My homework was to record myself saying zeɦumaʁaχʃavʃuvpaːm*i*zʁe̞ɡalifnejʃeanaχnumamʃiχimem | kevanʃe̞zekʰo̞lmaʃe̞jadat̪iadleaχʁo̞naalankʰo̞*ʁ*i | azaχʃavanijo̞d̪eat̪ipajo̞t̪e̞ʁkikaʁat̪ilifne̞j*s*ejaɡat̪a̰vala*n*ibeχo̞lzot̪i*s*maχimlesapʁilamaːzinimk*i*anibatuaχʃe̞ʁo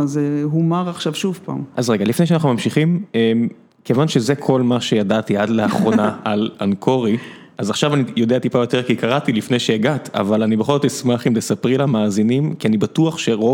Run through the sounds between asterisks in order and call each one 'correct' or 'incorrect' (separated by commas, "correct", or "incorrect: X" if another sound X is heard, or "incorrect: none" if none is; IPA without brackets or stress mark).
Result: incorrect: a, correct, incorrect: ʃ, correct, correct, correct